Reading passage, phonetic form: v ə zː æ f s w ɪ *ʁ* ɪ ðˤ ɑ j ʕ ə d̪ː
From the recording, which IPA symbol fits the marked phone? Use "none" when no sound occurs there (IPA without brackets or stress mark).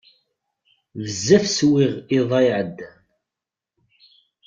ʁ